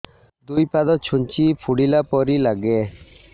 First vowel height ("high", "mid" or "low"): high